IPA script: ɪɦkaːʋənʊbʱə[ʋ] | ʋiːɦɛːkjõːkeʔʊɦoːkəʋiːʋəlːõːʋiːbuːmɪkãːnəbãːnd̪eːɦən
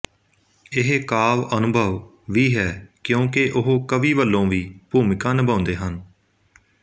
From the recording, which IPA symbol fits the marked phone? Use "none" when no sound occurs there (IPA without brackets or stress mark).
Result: ʋ